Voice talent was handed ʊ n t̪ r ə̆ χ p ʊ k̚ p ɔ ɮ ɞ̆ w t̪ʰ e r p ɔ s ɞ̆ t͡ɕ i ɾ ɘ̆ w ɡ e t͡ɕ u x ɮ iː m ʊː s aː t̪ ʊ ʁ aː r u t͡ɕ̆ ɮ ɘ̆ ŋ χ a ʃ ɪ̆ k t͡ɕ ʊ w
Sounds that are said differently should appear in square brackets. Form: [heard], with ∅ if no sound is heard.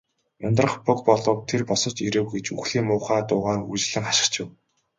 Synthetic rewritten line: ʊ n t̪ r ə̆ χ p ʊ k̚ p ɔ ɮ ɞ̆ w t̪ʰ e r p ɔ s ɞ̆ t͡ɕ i ɾ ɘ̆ w ɡ e t͡ɕ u x ɮ iː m ʊː [χ] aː t̪ [ʊː] ʁ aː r u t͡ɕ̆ ɮ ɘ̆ ŋ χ a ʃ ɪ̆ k t͡ɕ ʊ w